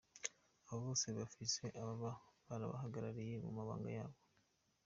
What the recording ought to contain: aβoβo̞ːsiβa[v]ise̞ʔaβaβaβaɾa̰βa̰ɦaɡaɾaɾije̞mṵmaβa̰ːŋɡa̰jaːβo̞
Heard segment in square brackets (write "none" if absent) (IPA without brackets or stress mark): f